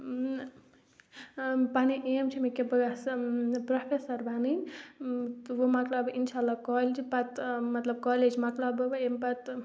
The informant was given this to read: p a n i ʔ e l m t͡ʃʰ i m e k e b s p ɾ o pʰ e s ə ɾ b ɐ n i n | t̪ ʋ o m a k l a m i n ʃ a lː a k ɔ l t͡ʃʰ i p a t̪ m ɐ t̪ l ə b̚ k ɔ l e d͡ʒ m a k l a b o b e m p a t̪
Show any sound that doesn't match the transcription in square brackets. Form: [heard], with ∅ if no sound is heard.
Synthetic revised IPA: p a n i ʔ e [∅] m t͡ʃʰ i m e k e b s p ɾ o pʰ e s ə ɾ b [a] n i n | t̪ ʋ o m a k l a [b] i n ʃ a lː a k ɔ l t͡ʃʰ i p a t̪ m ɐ t̪ l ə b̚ k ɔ l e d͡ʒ m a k l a b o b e m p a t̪